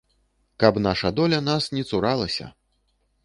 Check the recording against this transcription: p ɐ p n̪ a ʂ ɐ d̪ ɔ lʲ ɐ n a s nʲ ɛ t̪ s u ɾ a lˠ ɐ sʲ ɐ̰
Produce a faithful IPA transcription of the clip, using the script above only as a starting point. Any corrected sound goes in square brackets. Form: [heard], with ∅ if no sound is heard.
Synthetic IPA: [k] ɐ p n̪ a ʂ ɐ d̪ ɔ lʲ ɐ n a s nʲ ɛ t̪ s u ɾ a lˠ ɐ sʲ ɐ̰